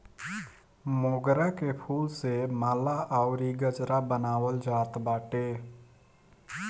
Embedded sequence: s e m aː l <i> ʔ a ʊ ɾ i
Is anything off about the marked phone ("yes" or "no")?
yes